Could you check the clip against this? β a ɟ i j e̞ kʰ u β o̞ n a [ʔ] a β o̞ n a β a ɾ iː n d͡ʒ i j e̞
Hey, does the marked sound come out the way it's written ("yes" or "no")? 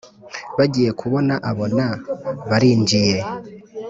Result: yes